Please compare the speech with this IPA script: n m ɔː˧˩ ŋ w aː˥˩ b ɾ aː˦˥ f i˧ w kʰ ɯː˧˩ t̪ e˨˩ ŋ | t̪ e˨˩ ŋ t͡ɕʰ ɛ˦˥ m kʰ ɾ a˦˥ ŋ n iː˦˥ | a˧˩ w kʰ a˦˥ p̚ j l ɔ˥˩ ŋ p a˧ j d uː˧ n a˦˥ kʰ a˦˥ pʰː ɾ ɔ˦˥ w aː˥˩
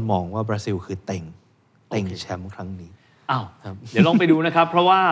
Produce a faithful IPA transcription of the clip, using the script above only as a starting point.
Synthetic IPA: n m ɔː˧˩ ŋ w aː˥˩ b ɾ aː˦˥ s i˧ w kʰ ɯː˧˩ t̪ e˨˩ ŋ | t̪ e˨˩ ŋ t͡ɕʰ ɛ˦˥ m kʰ ɾ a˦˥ ŋ n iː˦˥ | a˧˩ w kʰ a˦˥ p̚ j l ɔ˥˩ ŋ p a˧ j d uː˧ n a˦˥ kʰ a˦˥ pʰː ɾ ɔ˦˥ w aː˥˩